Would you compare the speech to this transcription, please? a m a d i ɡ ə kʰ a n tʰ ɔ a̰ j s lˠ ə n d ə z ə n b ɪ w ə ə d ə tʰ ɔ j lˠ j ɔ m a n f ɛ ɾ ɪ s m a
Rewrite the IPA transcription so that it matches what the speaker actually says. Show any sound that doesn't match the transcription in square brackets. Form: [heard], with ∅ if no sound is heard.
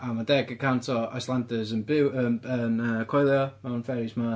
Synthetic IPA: a m a d [ɛ] ɡ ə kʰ a n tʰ ɔ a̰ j s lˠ [a] n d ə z ə n b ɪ w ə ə [n] ə [kʰ] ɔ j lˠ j ɔ m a n f ɛ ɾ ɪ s m a

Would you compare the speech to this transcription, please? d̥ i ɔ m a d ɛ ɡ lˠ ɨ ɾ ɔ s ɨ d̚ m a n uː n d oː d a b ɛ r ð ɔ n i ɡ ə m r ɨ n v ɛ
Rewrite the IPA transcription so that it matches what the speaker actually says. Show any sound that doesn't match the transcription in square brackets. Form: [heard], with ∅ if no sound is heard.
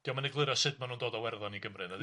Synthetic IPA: d̥ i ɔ m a [n] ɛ ɡ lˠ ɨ ɾ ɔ s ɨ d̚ m a n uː n d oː d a [w] ɛ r ð ɔ n i ɡ ə m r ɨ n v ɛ

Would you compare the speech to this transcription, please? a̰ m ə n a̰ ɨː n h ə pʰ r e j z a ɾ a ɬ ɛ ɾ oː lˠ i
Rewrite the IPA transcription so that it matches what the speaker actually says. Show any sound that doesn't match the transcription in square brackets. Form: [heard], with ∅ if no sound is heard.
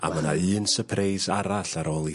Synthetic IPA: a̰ m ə n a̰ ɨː n [s] ə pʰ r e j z a ɾ a ɬ [a] ɾ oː lˠ i

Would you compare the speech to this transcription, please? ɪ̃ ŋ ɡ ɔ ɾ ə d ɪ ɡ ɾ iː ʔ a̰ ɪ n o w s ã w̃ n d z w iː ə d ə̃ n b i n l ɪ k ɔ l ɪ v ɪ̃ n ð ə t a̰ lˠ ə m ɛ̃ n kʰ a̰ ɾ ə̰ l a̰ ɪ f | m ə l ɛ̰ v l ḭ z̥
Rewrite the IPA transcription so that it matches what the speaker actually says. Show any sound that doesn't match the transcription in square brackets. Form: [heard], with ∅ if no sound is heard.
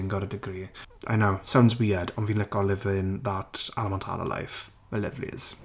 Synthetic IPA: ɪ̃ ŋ ɡ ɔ ɾ ə d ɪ ɡ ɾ iː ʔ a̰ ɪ n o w s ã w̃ n d z w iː ə d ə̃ n [v] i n l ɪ k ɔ l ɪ v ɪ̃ n ð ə t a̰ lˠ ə m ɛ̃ n [tʰ] a̰ [l] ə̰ l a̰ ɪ f | m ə l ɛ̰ v l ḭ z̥

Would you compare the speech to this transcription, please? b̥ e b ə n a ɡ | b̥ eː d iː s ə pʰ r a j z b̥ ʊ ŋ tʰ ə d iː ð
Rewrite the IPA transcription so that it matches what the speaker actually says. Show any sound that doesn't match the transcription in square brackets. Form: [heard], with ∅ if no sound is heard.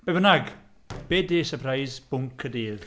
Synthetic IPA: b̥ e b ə n a ɡ | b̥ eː d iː s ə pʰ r a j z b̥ ʊ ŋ [kʰ] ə d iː ð

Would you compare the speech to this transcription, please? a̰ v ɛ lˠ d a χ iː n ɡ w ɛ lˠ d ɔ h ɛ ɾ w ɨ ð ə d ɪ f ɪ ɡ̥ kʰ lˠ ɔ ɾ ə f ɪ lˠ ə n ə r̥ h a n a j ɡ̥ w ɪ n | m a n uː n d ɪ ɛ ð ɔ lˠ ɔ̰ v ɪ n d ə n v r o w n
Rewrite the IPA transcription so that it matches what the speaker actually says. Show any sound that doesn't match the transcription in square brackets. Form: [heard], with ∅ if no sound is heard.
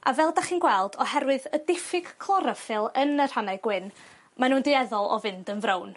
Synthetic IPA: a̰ v ɛ lˠ d a χ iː n ɡ w ɛ lˠ d ɔ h ɛ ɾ w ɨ ð ə d ɪ f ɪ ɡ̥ kʰ lˠ ɔ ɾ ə f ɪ lˠ ə n ə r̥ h a n a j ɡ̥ w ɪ n | m a n uː n d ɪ ɛ ð ɔ lˠ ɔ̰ v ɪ n d ə n v r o w n

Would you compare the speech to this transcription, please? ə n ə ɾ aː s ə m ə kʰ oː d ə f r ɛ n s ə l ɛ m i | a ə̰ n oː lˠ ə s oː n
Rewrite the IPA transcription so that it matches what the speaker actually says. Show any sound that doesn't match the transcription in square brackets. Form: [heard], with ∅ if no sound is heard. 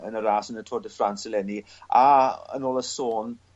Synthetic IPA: ə n ə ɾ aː s ə [n] ə [tʰ] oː d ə f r [a] n s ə l ɛ [n] i | a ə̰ n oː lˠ ə s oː n

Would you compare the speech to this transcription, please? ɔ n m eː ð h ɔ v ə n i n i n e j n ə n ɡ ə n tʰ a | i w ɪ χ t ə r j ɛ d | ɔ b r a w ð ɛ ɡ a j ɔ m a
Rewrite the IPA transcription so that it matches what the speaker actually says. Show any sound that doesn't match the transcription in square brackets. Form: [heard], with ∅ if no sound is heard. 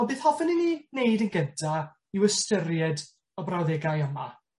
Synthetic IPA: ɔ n [b] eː [θ] h ɔ v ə n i n i n e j [d] ə n ɡ ə n tʰ a | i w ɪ [s] t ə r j ɛ d | ɔ b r a w ð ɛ ɡ a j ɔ m a

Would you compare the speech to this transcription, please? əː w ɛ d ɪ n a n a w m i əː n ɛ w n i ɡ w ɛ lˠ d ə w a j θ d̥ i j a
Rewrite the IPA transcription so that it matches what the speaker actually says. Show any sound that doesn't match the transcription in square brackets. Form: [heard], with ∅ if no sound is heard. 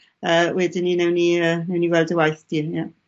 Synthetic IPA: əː w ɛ d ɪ n [i] n [ɛ] w [n] i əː n ɛ w n i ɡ w ɛ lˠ d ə w a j θ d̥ i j a

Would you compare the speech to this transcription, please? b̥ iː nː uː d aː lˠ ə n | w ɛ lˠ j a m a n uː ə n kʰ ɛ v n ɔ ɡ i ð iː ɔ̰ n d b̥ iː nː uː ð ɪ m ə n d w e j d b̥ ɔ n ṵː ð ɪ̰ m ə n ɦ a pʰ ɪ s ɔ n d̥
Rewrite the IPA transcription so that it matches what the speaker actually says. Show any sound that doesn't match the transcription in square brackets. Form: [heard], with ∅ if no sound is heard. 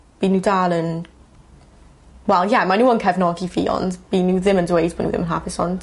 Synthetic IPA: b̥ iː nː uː d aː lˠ ə n | w ɛ lˠ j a m a n uː ə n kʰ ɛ v n ɔ ɡ i [v] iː ɔ̰ n d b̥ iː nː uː ð ɪ m ə n d w e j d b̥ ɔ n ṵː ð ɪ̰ m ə n ɦ a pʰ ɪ s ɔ n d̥

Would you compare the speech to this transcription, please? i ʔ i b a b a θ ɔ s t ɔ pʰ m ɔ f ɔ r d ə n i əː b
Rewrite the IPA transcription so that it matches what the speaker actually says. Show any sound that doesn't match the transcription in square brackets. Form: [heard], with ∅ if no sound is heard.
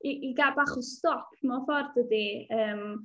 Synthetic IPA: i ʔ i [ɡ] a b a [χ] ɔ s t ɔ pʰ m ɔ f ɔ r d ə [d] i əː [m]

